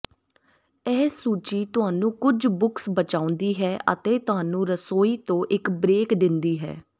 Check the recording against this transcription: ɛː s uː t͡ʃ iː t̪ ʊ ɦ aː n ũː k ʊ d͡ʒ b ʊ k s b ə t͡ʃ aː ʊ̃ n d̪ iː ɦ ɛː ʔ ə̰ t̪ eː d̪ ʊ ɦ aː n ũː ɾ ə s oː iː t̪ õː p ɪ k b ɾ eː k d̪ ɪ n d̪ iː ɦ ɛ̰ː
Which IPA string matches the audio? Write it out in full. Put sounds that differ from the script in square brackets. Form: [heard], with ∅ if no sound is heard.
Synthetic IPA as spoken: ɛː s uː t͡ʃ iː t̪ ʊ ɦ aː n ũː k ʊ d͡ʒ b ʊ k s b ə t͡ʃ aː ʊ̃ n d̪ iː ɦ ɛː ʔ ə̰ t̪ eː [t̪] ʊ ɦ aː n ũː ɾ ə s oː iː t̪ õː [ʔ] ɪ k b ɾ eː k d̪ ɪ n d̪ iː ɦ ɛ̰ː